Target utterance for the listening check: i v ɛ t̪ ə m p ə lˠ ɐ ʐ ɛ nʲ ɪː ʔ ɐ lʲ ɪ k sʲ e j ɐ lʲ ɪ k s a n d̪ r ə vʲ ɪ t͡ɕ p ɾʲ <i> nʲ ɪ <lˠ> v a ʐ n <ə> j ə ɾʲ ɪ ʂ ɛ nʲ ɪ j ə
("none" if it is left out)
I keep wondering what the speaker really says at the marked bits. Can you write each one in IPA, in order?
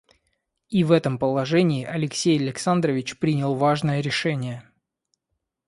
i, lˠ, ə

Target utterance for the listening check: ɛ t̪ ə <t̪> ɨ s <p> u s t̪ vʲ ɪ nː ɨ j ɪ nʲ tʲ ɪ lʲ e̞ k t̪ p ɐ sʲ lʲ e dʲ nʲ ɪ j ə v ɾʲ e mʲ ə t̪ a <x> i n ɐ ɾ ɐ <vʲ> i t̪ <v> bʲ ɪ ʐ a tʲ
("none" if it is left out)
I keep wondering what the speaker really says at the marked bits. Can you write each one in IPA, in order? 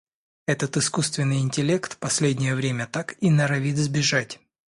t̪, k, k, vʲ, z

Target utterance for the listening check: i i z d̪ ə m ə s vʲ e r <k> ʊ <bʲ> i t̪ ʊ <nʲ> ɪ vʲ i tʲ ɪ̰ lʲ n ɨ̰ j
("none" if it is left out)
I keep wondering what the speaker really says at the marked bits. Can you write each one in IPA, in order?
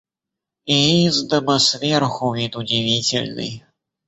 x, vʲ, dʲ

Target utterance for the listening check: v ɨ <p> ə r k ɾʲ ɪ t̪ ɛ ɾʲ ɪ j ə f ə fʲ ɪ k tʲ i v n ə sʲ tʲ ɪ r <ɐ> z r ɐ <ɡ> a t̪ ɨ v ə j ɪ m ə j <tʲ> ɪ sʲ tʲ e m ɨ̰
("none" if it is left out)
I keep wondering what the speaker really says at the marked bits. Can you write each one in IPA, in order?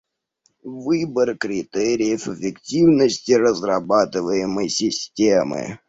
b, ə, b, sʲ

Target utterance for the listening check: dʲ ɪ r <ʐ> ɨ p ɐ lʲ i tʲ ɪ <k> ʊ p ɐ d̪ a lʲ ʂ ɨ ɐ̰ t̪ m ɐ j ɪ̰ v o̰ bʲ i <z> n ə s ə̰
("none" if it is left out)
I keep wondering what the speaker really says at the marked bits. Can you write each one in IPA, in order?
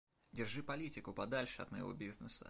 ʐ, k, z

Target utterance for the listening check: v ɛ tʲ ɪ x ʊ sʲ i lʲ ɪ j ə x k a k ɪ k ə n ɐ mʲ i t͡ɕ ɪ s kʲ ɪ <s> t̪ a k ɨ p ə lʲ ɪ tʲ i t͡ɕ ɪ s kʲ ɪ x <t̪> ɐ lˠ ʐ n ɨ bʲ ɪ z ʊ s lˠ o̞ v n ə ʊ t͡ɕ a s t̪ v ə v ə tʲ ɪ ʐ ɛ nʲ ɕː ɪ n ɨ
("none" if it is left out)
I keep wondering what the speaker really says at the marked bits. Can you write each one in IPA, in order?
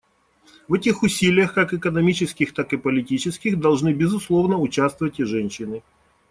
x, d̪

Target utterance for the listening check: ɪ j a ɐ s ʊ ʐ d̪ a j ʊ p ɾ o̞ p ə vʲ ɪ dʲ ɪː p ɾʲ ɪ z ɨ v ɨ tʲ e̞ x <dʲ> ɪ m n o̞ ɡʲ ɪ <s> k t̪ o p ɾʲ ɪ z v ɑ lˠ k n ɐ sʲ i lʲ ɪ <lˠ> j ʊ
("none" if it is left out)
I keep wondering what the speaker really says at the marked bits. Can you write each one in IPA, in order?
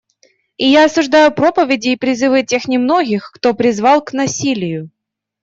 nʲ, x, none

